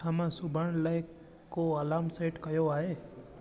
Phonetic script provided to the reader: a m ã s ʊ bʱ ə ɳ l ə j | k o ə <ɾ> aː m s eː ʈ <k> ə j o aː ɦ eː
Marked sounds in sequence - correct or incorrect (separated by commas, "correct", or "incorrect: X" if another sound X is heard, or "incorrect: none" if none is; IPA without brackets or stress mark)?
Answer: incorrect: l, correct